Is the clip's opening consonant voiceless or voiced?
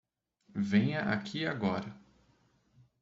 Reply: voiced